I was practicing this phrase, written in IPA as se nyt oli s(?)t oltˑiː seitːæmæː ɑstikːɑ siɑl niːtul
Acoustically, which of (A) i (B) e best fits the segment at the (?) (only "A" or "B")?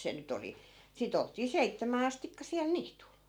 A